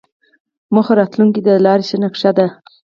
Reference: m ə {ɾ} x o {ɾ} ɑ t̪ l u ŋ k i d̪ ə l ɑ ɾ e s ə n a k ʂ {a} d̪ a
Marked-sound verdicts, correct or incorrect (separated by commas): incorrect, correct, correct